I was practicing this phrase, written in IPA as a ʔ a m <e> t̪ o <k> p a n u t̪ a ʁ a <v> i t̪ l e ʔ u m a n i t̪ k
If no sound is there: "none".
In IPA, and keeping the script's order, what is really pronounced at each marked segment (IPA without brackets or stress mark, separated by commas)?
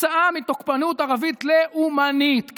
i, k, v